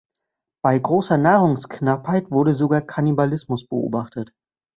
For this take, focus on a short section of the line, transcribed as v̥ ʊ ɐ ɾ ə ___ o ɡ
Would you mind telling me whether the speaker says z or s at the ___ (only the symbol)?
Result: z